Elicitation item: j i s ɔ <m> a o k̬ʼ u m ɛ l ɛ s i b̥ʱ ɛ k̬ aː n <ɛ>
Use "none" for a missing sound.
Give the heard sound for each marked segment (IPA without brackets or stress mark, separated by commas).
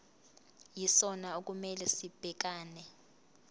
n, ɛ